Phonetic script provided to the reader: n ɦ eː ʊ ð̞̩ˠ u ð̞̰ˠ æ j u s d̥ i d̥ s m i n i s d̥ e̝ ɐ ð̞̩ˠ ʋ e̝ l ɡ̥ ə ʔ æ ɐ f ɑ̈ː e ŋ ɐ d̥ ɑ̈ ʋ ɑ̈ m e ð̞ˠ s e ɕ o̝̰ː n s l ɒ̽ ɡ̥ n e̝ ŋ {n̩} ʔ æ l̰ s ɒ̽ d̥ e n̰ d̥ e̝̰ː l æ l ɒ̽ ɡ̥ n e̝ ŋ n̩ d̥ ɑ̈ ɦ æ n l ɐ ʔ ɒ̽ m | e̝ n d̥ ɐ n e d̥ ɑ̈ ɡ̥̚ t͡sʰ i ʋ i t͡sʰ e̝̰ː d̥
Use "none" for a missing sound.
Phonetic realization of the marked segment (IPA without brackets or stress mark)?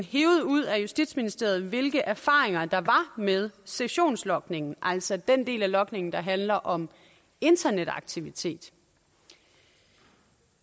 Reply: n̩